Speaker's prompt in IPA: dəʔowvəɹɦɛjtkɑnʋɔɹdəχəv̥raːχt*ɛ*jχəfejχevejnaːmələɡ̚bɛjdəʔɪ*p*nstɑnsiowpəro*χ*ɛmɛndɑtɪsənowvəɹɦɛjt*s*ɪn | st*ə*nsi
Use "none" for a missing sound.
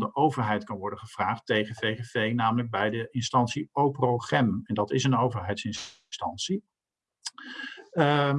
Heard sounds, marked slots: e, none, χ, s, ɑ

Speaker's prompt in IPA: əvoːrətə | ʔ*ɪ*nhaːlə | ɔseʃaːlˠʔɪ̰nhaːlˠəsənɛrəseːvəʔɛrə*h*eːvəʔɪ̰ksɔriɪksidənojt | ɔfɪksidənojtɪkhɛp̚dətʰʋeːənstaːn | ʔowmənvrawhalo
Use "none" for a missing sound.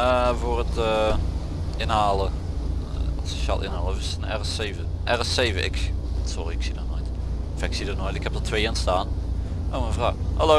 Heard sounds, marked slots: ɪ, s

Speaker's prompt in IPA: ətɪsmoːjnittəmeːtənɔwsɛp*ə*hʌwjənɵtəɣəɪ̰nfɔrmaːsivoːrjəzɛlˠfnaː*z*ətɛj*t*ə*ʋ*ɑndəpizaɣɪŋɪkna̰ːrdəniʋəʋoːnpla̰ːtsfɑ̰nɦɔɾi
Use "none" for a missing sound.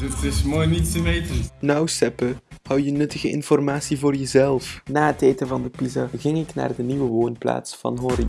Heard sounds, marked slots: ə, none, t, v

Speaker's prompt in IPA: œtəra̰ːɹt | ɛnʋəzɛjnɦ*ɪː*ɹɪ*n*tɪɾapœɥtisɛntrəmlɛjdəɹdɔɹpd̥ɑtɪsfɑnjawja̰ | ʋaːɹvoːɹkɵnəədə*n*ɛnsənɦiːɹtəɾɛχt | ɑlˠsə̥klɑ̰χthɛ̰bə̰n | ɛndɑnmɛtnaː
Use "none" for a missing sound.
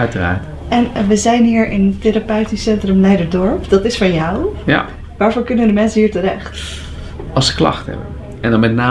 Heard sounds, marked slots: iː, n, m

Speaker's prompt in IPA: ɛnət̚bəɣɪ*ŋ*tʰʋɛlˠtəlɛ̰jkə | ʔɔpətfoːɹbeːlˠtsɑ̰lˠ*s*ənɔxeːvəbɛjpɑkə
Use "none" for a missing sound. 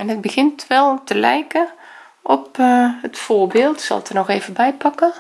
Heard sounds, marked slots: n, t

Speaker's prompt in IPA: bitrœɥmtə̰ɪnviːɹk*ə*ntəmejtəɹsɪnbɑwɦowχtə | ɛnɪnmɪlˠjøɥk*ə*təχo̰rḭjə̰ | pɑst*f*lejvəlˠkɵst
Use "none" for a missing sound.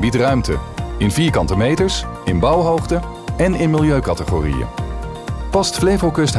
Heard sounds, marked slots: ɑ, ɑ, f

